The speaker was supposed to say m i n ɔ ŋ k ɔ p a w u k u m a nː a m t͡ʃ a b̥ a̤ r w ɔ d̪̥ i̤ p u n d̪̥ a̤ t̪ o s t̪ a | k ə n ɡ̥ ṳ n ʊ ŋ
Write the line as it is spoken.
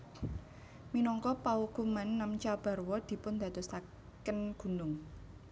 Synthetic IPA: m i n ɔ ŋ k ɔ p a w u k u m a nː a m t͡ʃ a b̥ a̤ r w ɔ d̪̥ i̤ p ʊ n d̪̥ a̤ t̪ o s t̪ a | k ə n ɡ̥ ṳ n ʊ ŋ